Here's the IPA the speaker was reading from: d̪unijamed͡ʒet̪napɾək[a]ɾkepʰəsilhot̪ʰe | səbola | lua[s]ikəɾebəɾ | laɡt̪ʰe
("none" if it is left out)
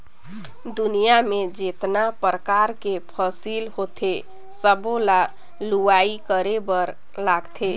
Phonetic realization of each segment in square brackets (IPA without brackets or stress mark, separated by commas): a, none